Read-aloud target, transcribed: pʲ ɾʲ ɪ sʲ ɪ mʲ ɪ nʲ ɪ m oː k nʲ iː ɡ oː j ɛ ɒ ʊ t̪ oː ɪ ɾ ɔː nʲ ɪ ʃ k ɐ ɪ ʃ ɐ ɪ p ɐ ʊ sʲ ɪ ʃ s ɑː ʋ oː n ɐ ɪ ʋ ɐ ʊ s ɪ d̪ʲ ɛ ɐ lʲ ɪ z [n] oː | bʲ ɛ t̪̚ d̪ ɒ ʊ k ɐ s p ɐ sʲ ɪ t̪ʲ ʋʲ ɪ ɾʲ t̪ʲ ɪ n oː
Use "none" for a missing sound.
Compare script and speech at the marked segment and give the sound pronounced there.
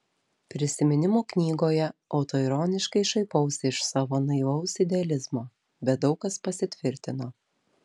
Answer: m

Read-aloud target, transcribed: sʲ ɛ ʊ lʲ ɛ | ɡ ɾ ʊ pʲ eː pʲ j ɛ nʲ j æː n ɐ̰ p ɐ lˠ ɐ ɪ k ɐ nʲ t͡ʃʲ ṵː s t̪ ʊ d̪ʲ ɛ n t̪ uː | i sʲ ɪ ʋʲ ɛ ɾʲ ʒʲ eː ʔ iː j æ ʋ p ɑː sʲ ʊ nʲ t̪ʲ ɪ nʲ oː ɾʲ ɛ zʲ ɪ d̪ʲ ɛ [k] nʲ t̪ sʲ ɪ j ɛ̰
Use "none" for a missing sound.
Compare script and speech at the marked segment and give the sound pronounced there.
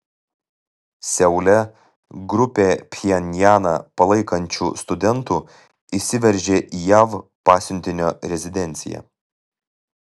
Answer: none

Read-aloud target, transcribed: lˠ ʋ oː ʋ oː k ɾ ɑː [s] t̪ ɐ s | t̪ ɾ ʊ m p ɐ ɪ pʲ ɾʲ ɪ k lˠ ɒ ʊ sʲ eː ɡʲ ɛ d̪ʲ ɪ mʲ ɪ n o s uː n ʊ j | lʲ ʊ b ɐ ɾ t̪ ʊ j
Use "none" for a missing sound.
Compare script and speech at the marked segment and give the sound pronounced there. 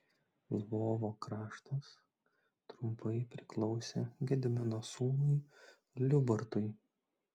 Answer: ʃ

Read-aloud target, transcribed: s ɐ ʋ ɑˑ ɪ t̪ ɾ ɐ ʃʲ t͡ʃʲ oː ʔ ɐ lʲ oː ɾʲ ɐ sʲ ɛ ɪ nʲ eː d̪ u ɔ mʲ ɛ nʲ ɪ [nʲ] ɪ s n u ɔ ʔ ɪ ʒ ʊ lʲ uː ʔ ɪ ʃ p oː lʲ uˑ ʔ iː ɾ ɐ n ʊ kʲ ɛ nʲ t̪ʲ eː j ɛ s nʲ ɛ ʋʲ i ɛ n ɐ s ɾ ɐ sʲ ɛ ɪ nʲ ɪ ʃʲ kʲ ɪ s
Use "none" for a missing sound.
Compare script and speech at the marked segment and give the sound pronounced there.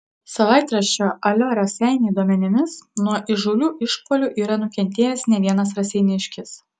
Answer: mʲ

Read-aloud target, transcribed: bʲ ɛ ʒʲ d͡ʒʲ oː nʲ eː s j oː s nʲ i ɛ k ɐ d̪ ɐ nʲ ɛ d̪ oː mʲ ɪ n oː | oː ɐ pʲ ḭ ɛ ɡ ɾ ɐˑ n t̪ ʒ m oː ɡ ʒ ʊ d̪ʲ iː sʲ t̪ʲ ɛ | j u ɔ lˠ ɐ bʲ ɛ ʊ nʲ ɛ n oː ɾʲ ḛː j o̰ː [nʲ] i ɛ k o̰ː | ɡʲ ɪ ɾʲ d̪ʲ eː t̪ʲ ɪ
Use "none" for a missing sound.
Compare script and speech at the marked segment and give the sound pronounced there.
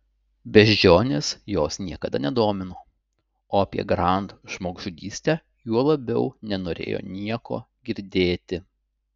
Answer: nʲ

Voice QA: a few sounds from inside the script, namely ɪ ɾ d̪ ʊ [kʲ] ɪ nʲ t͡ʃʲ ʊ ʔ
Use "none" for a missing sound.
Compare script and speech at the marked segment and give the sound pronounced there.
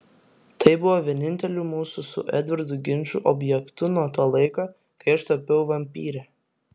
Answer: ɡʲ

